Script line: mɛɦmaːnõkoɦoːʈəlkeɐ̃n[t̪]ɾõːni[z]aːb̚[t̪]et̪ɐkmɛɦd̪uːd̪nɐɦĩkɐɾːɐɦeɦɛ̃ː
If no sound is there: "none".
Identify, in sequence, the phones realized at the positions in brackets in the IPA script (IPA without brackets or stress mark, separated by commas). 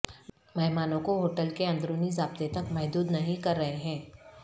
d̪, z, t̪